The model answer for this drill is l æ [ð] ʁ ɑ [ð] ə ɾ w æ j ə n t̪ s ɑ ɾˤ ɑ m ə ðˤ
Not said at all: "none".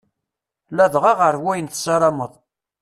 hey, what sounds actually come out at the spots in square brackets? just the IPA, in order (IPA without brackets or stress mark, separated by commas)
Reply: ð, ʁ